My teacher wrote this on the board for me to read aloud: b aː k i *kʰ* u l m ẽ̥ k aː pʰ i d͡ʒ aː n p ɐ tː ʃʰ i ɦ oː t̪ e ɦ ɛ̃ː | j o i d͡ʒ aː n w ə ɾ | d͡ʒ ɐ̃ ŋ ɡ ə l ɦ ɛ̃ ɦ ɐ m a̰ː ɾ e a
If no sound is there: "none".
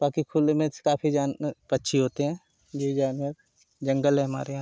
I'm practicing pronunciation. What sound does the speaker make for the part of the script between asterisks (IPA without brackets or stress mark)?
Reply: kʰ